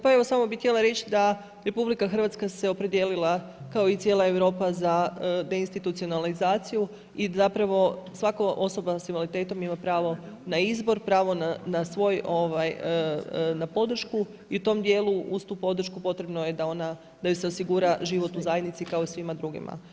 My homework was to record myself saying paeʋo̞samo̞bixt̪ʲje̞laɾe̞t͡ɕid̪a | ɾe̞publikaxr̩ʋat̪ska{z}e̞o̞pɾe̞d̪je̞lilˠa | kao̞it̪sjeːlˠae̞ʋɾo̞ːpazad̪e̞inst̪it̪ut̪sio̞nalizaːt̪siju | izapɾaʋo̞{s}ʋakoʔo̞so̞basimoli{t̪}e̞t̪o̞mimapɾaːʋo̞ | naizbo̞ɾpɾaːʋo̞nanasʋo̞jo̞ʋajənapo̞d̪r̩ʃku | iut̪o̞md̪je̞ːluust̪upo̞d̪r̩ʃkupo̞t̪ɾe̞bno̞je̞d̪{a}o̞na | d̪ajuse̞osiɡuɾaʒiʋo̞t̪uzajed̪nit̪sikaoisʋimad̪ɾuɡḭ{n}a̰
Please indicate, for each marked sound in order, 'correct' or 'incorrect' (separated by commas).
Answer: incorrect, correct, correct, correct, incorrect